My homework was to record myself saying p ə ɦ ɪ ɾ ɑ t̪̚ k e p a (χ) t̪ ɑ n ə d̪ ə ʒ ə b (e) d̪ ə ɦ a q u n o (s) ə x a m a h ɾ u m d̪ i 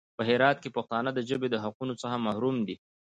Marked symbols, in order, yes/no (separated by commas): no, yes, no